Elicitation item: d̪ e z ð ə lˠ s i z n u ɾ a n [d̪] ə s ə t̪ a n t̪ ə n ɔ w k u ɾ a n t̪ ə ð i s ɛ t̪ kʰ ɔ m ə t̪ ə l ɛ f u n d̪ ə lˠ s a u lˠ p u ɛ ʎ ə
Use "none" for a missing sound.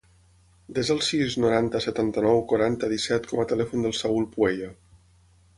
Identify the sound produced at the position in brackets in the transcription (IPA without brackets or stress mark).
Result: t̪